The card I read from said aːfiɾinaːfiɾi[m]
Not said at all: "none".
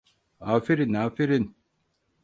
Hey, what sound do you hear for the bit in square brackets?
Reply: n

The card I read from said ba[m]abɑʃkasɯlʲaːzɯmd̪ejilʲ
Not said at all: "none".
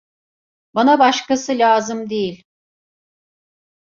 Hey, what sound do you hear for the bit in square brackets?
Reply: n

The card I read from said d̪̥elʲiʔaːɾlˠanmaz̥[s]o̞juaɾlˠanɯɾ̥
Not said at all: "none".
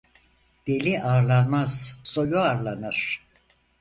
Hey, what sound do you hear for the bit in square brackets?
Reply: s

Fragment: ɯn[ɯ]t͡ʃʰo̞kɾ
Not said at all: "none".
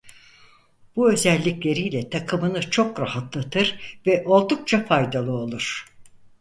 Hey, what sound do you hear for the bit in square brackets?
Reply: ɯ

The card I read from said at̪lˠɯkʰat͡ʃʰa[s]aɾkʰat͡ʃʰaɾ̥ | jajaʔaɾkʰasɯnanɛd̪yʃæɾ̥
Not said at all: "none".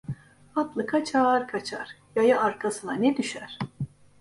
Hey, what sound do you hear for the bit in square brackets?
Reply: none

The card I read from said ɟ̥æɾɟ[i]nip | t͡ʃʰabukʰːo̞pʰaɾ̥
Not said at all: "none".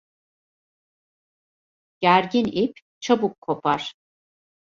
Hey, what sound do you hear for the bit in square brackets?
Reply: i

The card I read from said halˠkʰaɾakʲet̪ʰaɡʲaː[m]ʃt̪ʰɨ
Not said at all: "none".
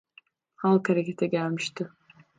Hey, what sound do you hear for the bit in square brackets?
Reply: m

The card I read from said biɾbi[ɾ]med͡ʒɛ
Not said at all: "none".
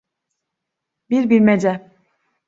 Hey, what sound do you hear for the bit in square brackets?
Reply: ɾ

